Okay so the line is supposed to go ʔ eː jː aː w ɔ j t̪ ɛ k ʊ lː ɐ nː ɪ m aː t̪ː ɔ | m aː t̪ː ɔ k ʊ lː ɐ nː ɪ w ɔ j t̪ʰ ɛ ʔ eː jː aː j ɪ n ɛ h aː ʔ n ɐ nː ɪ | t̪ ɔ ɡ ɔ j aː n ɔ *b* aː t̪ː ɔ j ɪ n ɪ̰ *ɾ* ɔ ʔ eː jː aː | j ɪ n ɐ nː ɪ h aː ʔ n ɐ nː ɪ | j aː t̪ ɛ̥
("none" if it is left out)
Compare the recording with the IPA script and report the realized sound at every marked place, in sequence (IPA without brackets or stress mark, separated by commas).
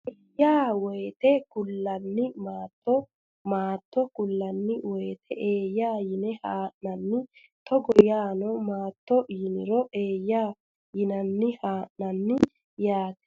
m, ɾ